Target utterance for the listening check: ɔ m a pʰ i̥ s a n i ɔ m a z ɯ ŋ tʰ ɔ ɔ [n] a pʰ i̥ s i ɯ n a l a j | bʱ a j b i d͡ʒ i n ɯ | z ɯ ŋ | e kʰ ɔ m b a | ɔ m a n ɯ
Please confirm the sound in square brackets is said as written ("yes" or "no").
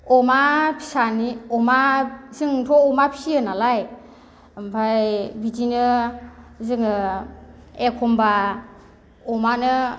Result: no